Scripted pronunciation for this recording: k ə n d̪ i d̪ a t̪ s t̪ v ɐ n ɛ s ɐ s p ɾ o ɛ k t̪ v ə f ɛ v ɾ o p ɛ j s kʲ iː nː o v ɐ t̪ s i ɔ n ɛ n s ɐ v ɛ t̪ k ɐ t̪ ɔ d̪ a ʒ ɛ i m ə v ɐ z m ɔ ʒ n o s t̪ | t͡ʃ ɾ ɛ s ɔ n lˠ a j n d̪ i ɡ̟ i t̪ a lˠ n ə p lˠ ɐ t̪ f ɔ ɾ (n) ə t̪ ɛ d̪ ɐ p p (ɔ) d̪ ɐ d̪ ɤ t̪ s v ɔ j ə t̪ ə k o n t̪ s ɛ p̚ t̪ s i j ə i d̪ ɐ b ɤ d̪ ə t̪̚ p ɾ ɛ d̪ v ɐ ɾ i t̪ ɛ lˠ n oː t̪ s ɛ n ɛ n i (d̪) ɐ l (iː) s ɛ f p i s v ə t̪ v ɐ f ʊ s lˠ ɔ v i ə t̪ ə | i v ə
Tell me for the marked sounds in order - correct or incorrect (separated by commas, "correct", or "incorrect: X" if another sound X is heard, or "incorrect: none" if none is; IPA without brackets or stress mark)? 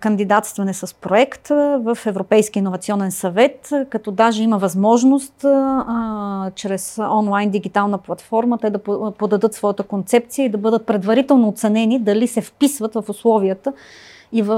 incorrect: m, incorrect: o, correct, incorrect: i